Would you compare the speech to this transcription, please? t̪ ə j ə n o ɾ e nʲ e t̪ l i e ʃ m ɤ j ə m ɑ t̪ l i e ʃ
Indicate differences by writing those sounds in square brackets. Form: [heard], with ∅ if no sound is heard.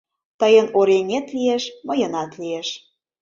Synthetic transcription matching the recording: t̪ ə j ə n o ɾ e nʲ e t̪ l i e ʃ m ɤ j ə [n] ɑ t̪ l i e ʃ